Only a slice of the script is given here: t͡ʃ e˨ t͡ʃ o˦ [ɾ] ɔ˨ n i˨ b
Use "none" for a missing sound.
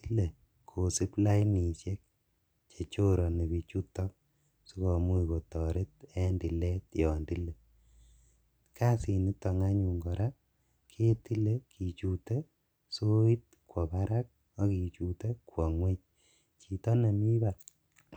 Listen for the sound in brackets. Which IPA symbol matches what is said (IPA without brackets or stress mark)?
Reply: ɾ